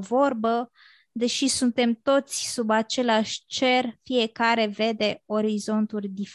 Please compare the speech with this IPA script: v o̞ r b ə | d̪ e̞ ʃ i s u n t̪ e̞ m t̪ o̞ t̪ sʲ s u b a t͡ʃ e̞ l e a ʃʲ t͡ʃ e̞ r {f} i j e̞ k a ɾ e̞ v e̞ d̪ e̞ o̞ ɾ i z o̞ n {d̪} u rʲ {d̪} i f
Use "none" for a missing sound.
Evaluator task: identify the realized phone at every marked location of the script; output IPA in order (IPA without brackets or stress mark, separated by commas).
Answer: f, t̪, d̪